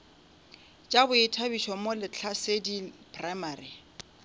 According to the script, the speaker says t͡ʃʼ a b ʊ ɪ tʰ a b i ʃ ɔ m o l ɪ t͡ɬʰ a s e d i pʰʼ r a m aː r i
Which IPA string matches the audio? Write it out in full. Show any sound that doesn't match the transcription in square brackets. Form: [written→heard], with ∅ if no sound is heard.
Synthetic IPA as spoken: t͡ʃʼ a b ʊ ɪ tʰ a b i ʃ ɔ m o l ɪ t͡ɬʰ a s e d i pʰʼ r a m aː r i